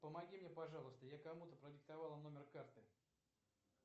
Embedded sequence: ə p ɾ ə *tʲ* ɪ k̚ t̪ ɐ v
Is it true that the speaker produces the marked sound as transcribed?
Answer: no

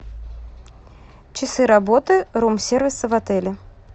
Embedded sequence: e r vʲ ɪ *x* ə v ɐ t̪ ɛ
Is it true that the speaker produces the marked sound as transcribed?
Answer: no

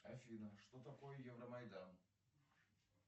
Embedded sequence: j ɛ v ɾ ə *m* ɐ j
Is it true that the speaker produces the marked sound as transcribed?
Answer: yes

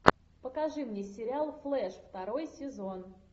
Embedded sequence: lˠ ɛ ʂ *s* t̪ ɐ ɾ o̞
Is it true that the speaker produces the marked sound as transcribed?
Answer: no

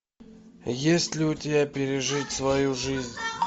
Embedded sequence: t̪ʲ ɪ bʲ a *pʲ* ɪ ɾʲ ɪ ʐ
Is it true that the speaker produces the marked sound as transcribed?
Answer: yes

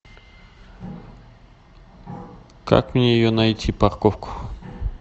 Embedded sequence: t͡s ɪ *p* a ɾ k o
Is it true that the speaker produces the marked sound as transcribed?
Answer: yes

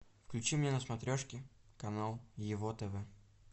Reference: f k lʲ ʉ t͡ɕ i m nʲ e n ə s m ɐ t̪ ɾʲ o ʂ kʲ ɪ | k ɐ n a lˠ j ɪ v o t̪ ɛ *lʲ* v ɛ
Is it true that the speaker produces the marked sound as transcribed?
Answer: no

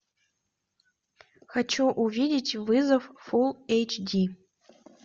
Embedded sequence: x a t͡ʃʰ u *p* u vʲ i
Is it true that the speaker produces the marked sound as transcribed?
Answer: no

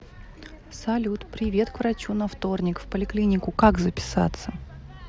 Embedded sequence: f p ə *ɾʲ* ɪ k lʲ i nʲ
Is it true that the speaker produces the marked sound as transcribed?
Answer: no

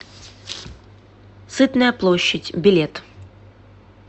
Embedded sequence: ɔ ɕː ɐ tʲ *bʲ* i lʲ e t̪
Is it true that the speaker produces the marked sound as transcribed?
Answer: yes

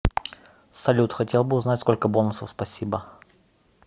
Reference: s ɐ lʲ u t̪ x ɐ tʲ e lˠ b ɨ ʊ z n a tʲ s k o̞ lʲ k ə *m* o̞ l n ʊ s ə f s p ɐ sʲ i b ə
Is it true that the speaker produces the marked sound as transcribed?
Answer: no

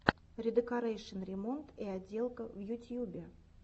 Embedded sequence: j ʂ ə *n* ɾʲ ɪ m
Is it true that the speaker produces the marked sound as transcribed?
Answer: yes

